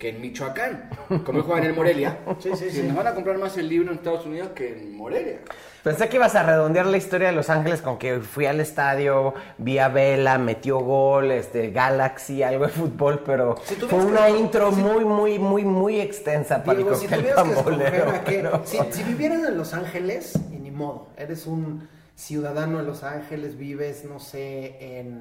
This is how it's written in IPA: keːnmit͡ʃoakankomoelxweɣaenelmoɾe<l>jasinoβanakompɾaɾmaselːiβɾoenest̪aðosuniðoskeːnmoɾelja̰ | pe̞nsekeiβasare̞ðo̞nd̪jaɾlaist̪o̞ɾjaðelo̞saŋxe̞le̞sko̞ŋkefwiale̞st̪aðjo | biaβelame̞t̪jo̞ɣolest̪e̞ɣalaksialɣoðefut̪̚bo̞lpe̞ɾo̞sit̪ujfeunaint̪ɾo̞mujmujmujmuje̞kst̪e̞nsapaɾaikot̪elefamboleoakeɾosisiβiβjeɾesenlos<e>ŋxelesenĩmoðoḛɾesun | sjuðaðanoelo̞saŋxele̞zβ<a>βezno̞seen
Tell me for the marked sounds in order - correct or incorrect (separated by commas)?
correct, incorrect, incorrect